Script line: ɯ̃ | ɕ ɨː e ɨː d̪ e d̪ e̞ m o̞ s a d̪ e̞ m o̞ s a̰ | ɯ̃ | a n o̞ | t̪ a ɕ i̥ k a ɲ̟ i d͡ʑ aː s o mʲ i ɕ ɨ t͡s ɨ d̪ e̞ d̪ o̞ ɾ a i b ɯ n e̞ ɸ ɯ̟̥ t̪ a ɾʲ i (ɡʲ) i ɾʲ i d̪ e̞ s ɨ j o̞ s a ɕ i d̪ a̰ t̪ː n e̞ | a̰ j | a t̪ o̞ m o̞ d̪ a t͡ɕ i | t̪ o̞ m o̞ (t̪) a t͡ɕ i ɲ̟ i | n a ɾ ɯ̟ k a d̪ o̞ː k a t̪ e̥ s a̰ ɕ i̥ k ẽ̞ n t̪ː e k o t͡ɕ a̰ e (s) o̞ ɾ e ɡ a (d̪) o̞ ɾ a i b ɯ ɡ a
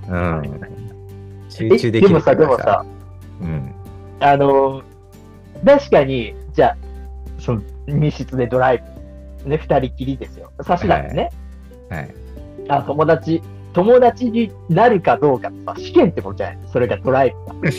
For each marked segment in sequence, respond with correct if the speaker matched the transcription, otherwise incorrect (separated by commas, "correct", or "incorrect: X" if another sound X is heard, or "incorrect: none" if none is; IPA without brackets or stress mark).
incorrect: kʲ, incorrect: d̪, correct, correct